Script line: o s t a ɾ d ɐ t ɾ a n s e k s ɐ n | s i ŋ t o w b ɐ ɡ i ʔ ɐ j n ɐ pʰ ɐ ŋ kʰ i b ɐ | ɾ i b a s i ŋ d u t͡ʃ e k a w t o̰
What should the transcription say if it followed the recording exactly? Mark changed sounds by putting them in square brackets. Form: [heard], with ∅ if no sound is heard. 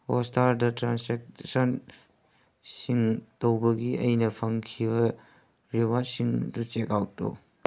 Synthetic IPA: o s t a ɾ d ɐ t ɾ a n s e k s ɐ n | s i ŋ t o w b ɐ ɡ i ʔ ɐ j n ɐ pʰ ɐ ŋ kʰ i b ɐ | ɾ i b a s i ŋ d u t͡ʃ e k a w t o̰